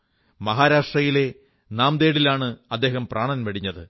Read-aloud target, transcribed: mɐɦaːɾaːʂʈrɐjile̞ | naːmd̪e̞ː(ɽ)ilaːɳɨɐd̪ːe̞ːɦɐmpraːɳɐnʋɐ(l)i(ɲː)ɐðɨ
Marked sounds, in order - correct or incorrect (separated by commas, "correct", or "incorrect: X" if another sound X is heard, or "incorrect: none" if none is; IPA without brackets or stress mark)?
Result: correct, incorrect: ɽ, correct